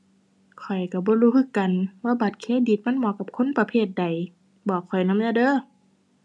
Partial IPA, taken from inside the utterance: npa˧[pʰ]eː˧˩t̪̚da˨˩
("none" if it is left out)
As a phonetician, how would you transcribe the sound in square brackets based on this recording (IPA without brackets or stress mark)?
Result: pʰ